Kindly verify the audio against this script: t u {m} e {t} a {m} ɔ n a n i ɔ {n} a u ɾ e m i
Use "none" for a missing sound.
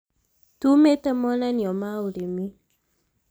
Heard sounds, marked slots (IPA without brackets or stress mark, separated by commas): m, t, m, m